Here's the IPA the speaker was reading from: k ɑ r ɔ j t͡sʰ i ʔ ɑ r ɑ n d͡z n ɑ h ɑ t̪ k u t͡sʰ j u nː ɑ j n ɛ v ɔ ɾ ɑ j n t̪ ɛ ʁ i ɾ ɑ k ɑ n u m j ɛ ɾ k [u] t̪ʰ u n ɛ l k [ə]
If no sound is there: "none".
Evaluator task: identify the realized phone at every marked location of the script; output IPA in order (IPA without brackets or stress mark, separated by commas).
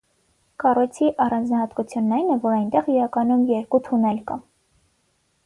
u, ɑ